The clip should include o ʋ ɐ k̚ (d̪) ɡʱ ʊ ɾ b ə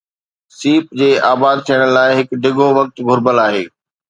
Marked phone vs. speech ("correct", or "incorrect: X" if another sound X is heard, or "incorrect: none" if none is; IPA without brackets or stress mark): incorrect: t̪